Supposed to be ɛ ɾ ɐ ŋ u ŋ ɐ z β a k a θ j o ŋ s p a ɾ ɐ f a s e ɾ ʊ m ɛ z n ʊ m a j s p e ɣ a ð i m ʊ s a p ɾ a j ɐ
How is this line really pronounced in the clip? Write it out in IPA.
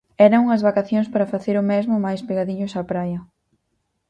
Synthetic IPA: ɛ ɾ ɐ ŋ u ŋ ɐ z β a k a θ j o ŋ s p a ɾ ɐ f a θ e ɾ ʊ m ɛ z m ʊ m a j s p e ɣ a ð i ɲ ʊ s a p ɾ a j ɐ